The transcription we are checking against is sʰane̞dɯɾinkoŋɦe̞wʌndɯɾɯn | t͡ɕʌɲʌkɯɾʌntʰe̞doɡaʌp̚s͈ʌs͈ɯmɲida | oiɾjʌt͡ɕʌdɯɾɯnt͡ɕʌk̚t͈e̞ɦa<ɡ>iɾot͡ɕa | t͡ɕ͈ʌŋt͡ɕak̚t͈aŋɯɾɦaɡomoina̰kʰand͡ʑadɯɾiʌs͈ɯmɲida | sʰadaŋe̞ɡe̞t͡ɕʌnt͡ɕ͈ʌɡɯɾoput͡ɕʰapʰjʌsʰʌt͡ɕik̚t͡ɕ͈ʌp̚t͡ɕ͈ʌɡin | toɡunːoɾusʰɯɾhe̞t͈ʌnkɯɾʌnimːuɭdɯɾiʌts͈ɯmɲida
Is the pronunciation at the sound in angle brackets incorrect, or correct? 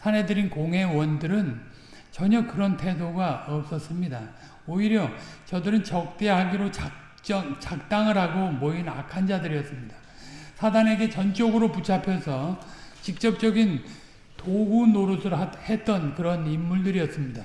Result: correct